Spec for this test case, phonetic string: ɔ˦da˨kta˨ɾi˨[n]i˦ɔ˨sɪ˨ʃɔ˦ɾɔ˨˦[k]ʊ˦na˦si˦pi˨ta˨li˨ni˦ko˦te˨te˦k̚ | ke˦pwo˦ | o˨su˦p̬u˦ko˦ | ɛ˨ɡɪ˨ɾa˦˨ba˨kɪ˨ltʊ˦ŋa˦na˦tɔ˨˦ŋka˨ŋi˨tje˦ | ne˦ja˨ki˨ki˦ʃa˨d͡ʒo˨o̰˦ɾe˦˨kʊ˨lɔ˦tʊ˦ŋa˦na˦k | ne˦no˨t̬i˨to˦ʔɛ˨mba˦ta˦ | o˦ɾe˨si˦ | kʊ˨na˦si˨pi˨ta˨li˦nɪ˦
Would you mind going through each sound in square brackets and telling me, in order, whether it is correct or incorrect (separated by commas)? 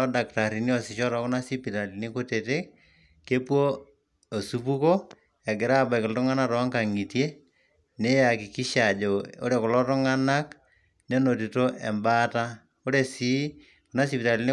correct, correct